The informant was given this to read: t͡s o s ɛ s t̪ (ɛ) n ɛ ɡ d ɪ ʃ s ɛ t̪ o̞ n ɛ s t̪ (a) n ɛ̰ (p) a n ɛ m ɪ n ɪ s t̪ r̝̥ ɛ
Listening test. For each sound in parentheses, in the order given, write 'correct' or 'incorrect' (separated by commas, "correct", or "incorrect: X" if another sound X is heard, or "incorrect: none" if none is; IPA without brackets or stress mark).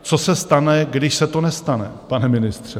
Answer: incorrect: a, correct, correct